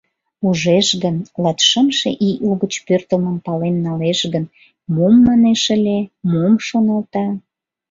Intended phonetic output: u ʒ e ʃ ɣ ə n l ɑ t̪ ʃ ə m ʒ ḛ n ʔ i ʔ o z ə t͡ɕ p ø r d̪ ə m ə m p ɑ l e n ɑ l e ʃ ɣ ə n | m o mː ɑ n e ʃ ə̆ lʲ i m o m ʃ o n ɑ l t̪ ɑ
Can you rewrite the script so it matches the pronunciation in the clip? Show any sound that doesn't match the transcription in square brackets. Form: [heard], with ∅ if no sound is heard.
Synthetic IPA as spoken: u ʒ e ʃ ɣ ə n l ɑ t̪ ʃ ə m [ʃ] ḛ [∅] ʔ i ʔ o [ɣ] ə t͡ɕ p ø r [t̪] ə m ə m p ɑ l e [nː] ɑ l e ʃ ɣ ə n | m o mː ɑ n e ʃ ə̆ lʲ [e] m o m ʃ o n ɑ l t̪ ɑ